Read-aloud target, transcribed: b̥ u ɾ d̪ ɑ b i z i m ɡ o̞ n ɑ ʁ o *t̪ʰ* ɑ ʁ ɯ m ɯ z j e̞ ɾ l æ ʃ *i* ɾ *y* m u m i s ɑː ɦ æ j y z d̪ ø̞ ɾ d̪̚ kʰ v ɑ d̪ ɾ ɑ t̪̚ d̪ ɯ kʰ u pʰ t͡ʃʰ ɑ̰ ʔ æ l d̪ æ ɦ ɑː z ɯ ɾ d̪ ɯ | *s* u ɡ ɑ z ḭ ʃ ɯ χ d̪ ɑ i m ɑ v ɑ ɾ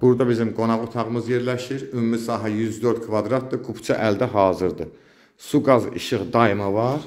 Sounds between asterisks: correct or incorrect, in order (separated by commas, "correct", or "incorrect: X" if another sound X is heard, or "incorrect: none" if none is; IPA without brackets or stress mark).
correct, correct, correct, correct